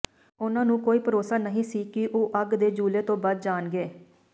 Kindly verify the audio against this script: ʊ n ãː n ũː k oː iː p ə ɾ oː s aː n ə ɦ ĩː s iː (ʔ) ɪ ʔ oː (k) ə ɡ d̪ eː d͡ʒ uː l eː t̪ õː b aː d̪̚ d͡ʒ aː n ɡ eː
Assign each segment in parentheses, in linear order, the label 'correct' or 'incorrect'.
incorrect, incorrect

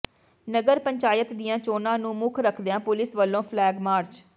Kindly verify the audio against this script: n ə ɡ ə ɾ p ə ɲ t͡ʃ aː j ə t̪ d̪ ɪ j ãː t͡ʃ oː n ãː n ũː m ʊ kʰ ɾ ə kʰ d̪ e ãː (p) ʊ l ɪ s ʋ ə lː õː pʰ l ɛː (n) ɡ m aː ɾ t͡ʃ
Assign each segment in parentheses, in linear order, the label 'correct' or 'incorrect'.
correct, incorrect

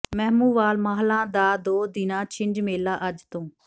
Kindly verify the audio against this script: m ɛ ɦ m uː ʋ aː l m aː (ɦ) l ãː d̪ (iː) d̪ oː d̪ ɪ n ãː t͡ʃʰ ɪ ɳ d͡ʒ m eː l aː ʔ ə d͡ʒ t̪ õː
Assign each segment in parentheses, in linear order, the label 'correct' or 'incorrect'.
correct, incorrect

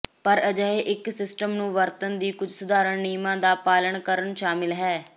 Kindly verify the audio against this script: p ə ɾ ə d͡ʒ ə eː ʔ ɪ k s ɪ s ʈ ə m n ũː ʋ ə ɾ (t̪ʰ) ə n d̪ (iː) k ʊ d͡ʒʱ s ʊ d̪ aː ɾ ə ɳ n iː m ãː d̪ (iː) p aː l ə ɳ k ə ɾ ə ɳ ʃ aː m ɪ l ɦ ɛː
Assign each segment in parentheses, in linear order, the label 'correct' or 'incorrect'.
incorrect, correct, incorrect

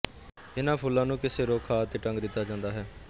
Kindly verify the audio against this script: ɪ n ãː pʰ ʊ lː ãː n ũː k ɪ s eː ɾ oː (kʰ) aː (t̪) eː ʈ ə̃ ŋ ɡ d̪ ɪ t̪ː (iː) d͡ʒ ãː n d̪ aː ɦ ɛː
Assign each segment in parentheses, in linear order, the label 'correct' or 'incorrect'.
correct, correct, incorrect

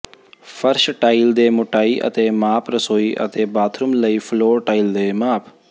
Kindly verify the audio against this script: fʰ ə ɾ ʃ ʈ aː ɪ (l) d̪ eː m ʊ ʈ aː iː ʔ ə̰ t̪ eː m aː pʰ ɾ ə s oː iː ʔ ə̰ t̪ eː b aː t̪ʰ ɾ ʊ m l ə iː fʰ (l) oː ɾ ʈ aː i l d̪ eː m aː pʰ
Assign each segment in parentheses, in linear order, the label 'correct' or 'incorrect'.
correct, correct

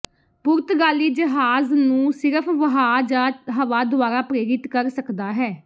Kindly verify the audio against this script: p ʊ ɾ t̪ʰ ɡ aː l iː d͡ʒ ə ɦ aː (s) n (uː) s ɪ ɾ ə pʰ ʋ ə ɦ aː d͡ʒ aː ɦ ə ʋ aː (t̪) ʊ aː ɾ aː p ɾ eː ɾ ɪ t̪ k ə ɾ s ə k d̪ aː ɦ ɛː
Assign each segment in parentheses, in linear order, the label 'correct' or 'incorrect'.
incorrect, incorrect, incorrect

